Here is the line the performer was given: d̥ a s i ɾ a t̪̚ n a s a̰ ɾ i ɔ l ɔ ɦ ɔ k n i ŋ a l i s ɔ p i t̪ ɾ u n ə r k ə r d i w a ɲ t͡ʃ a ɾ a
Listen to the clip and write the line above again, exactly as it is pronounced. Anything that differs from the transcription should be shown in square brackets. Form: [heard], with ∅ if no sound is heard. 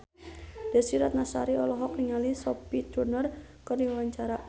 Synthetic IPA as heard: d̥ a s i ɾ a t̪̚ n a s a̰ ɾ i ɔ l ɔ ɦ ɔ k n i ŋ a l i s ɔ p i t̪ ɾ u n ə r k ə r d i w a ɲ t͡ʃ a ɾ a